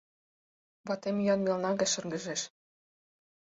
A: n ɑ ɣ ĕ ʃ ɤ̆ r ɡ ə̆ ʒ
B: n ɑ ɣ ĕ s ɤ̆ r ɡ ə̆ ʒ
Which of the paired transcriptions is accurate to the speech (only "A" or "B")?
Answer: A